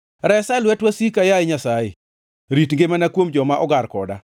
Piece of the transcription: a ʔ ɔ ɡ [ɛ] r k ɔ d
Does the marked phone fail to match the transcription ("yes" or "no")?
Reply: yes